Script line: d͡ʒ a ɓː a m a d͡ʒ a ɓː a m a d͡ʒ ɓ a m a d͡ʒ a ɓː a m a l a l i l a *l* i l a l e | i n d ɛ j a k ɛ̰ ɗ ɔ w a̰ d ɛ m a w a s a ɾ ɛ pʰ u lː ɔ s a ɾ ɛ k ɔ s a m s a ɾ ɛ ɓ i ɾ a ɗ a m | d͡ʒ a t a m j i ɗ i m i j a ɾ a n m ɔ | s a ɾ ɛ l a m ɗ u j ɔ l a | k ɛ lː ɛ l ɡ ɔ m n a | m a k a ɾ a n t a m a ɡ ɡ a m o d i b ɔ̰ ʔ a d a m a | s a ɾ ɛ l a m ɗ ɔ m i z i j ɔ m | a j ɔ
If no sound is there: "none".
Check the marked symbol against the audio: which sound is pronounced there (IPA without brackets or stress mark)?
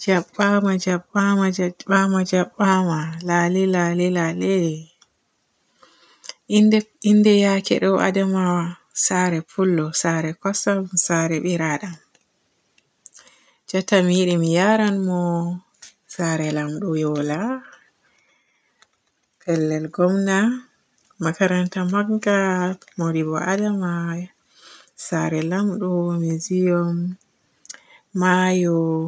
l